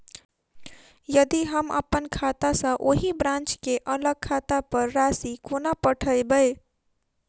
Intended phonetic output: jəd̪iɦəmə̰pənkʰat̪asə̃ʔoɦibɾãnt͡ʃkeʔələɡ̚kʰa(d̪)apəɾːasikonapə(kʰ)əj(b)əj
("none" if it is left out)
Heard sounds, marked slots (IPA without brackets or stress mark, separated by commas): t̪, ʈʰ, b